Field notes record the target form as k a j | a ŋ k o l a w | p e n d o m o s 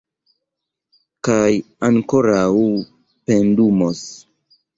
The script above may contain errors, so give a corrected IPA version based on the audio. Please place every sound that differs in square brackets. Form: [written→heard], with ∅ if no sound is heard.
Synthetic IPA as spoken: k a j | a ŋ k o [l→ɾ] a w | p e n d [o→u] m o s